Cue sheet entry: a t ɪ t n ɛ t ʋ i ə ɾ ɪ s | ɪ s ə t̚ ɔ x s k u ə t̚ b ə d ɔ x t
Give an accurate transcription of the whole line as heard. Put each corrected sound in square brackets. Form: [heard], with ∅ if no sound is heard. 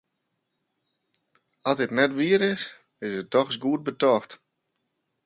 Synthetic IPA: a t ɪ t n ɛ t ʋ i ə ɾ ɪ s | ɪ s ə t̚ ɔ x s [ɡ] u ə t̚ b ə [t] ɔ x t